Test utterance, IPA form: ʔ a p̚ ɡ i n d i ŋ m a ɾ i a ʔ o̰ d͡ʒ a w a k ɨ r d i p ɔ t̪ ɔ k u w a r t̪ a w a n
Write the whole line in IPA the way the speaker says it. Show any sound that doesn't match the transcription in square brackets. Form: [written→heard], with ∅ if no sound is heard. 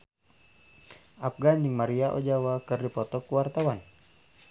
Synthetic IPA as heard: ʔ a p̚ ɡ [i→a] n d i ŋ m a ɾ i a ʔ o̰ d͡ʒ a w a k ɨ r d i p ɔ t̪ ɔ k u w a r t̪ a w a n